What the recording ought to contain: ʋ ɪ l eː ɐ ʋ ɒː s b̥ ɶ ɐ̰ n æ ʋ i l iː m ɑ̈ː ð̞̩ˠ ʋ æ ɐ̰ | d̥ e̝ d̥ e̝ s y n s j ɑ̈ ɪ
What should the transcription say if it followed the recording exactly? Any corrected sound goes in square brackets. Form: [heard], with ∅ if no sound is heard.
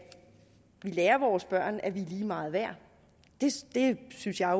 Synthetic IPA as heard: ʋ [i] l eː ɐ ʋ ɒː s b̥ ɶ ɐ̰ n æ ʋ i l iː m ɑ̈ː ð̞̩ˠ ʋ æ ɐ̰ | d̥ e̝ d̥ e̝ s y n s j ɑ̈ ɪ